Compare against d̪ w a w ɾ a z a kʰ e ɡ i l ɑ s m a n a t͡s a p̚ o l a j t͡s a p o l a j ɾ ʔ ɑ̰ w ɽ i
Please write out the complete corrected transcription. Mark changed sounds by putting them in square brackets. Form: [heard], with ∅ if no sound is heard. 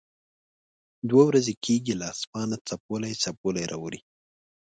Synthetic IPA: d̪ w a w ɾ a z [e] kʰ e ɡ i l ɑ s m [ɑ] n a t͡s a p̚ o l a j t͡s a p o l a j ɾ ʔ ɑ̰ w [ɾ] i